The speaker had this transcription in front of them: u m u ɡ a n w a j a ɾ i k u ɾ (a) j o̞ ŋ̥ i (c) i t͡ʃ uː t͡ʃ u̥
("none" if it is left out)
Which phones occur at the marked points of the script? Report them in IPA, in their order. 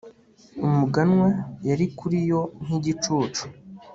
i, ɟ

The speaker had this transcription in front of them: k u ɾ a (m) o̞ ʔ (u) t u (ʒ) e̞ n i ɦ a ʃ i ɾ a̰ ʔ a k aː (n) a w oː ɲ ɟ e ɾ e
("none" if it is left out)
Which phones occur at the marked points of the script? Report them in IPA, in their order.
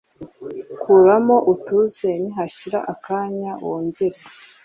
m, u, z, ɲ

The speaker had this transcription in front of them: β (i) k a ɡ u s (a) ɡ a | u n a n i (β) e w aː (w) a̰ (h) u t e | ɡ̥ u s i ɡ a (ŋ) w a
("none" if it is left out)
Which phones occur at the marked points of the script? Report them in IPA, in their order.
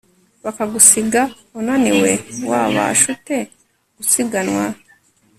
a, i, w, β, ʃ, n

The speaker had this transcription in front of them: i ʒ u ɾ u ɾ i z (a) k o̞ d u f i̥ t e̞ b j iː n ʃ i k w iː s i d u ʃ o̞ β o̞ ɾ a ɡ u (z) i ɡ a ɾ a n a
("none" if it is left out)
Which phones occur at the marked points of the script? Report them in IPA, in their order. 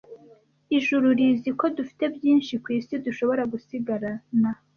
i, s

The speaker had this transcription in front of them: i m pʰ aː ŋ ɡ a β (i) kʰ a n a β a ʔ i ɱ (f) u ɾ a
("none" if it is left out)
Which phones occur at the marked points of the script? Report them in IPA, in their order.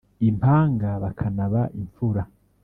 a, f

